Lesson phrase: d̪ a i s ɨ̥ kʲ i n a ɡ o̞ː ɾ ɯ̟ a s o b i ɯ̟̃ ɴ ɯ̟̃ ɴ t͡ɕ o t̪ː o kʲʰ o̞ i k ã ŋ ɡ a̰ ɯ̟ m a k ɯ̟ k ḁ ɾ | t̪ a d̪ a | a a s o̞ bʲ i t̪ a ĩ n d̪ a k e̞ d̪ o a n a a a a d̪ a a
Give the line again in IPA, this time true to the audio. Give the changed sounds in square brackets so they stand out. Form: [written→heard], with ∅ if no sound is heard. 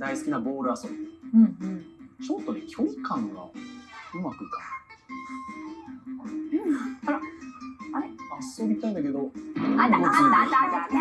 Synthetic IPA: d̪ a i s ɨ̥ kʲ i n a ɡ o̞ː ɾ ɯ̟ a s o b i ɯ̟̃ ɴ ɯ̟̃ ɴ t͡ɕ o t̪ː o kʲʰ o̞ i k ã ŋ ɡ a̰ ɯ̟ m a k ɯ̟ k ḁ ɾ | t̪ a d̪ a | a a s o̞ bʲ i t̪ a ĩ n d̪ a k e̞ d̪ o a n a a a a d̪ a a